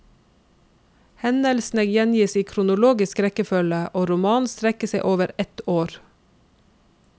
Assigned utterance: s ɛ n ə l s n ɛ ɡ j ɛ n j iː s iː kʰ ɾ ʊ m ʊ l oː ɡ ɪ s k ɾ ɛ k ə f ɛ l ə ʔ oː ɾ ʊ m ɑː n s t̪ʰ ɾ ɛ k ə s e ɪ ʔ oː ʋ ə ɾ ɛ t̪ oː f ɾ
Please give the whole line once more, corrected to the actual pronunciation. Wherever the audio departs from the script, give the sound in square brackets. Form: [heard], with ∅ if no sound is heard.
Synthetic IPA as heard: [h] ɛ n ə l s n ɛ ɡ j ɛ n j iː s iː kʰ ɾ ʊ [n] ʊ l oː ɡ ɪ s k ɾ ɛ k ə f [œ] l ə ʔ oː ɾ ʊ m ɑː n s [t̪] ɾ ɛ k ə s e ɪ ʔ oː ʋ ə ɾ ɛ t̪ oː [∅] ɾ